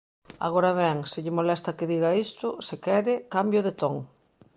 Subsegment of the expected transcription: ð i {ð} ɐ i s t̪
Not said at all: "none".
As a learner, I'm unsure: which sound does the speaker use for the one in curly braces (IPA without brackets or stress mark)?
ɣ